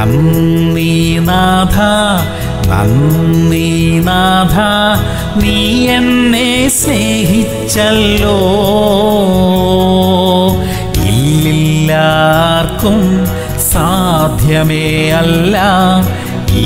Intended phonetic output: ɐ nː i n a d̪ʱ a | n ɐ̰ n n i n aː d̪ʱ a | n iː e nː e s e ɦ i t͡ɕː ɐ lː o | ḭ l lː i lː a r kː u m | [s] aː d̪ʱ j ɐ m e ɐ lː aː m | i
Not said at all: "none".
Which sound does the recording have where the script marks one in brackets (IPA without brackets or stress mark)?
s